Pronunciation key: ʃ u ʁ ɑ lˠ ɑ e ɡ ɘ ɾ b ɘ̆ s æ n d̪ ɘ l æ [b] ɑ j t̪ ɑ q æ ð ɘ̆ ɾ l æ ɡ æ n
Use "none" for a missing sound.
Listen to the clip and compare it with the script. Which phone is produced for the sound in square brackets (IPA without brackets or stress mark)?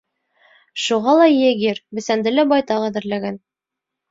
b